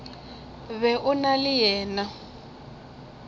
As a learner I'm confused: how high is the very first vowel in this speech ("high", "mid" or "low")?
mid